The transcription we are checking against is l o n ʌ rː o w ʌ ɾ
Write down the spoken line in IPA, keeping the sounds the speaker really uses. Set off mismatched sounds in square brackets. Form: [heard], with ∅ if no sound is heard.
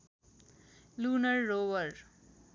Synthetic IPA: l [u] n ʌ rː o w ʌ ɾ

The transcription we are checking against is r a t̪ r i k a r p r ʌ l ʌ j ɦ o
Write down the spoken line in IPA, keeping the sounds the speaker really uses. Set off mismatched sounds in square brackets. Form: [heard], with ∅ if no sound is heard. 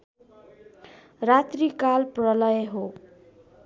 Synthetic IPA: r a t̪ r i k a [l] p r ʌ l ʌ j ɦ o

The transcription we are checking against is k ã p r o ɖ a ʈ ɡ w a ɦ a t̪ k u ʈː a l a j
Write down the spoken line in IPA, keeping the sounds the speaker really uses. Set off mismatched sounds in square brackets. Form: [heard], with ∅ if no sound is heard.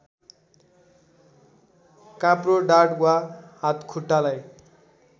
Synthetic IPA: k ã p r o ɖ a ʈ ɡ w a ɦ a t̪ [kʰ] u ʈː a l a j

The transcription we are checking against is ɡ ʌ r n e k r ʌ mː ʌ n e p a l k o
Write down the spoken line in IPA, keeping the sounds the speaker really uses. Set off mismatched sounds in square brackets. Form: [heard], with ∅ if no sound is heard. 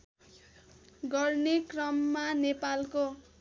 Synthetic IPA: ɡ ʌ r n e k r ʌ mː [a] n e p a l k o

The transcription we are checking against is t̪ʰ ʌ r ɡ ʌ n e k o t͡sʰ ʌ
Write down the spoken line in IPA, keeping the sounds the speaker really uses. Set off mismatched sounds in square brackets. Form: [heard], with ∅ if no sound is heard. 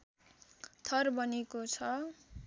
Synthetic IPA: t̪ʰ ʌ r [b] ʌ n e k o t͡sʰ ʌ

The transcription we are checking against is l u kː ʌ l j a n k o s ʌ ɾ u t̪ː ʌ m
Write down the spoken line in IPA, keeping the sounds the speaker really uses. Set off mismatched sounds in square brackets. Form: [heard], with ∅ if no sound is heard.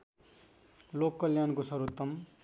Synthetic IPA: l [o] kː ʌ l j a n k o s ʌ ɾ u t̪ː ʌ m

